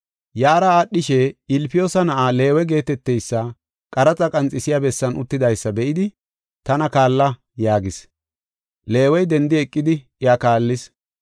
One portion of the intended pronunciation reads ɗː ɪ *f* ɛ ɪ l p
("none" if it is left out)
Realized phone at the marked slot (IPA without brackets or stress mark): ʃ